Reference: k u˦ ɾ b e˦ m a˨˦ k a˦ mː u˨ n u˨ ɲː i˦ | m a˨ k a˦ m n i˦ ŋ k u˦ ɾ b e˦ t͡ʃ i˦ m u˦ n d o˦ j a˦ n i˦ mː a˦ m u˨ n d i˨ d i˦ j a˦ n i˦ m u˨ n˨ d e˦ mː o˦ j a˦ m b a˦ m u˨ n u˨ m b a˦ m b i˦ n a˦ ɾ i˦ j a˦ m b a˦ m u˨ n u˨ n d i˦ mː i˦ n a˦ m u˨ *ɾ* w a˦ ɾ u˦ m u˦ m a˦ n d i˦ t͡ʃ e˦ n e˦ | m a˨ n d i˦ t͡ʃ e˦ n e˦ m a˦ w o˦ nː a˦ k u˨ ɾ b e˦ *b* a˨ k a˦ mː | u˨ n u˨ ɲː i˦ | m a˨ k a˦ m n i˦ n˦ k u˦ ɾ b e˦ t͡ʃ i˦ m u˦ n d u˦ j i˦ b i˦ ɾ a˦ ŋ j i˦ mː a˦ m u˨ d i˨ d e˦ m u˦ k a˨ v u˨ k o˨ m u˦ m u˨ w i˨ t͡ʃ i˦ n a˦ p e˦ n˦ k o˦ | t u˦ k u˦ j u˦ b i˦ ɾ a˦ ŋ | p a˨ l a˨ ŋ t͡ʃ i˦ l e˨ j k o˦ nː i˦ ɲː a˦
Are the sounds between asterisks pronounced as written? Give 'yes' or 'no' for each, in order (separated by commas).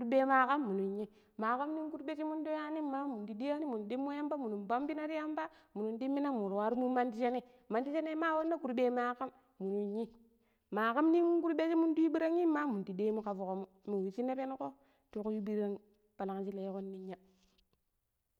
yes, no